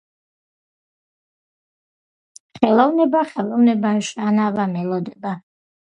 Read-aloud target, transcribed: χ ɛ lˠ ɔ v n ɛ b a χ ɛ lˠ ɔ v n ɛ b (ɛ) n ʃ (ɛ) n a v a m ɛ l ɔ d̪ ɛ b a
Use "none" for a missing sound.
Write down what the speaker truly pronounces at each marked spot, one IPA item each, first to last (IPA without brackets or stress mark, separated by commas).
a, a